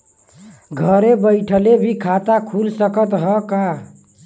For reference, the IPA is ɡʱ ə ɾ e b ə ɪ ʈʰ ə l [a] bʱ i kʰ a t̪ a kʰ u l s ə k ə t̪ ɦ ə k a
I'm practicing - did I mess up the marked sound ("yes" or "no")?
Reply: yes